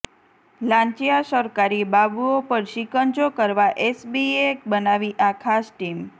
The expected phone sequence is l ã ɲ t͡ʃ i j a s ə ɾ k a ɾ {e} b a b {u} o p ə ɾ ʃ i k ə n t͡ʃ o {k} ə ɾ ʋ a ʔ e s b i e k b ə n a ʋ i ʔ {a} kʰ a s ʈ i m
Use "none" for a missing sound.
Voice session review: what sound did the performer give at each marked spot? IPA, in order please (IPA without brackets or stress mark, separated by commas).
i, u, k, a